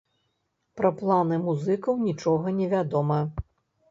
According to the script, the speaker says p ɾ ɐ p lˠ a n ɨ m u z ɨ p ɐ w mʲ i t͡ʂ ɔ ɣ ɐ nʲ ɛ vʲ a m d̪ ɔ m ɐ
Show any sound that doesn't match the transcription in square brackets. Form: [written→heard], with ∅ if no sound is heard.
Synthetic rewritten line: p ɾ ɐ p lˠ a n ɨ m u z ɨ [p→k] ɐ w [mʲ→nʲ] i t͡ʂ ɔ ɣ ɐ nʲ ɛ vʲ a [m→∅] d̪ ɔ m ɐ